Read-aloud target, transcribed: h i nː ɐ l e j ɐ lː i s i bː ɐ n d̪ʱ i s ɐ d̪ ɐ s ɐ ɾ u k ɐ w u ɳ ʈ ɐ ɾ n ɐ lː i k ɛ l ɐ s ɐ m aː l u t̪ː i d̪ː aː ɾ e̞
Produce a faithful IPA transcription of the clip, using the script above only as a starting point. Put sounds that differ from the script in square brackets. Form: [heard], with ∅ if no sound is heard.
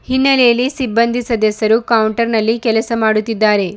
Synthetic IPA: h i nː ɐ l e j ɐ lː i s i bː ɐ n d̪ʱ i s ɐ d̪ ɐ s ɐ ɾ u k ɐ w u ɳ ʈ ɐ ɾ n ɐ lː i k ɛ l ɐ s ɐ m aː [ɽ] u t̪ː i d̪ː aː ɾ e̞